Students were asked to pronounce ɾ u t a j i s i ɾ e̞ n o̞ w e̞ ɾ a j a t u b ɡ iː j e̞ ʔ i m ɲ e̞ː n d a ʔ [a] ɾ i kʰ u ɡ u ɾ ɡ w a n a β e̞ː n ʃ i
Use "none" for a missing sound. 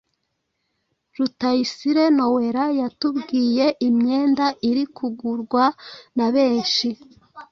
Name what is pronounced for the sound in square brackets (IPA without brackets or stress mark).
i